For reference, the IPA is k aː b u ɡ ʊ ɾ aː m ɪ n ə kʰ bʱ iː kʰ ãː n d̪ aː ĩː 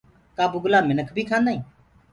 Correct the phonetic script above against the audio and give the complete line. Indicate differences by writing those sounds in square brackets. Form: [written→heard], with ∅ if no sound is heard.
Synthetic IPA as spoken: k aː b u ɡ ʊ [ɾ→l] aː m ɪ n ə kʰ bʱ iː kʰ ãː n d̪ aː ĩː